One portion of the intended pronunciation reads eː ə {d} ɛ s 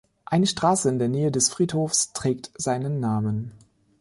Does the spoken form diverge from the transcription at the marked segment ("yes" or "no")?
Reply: no